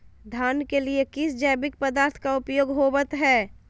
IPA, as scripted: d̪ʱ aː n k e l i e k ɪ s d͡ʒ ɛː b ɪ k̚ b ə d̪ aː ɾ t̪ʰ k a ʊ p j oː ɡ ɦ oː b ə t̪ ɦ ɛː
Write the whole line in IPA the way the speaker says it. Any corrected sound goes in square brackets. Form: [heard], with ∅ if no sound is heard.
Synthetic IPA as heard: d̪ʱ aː n k e l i e k ɪ s d͡ʒ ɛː b ɪ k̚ [p] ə d̪ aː ɾ t̪ʰ k a ʊ p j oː ɡ ɦ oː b ə t̪ ɦ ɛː